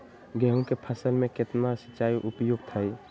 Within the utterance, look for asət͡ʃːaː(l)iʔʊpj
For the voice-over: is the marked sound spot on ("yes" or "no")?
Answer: no